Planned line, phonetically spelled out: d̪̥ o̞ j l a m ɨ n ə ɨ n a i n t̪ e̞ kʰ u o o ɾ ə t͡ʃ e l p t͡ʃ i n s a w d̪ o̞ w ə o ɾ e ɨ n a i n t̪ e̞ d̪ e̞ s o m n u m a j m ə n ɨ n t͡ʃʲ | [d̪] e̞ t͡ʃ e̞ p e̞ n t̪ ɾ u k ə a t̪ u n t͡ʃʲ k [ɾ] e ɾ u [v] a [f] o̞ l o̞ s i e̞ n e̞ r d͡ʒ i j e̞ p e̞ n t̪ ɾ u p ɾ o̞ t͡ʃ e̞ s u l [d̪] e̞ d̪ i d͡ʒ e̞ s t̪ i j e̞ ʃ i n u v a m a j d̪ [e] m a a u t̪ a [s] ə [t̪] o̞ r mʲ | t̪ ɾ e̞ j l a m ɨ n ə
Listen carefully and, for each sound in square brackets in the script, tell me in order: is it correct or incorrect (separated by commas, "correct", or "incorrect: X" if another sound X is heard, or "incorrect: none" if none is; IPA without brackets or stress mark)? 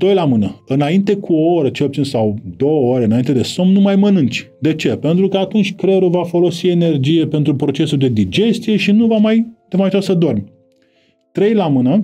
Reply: correct, correct, correct, correct, correct, correct, correct, incorrect: d̪